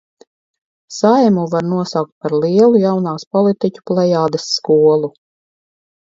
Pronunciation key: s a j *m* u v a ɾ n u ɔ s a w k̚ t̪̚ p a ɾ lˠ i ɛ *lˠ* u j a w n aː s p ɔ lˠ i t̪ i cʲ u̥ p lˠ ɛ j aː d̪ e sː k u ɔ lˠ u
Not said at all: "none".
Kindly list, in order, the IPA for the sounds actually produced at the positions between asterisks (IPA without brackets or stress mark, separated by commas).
m, lˠ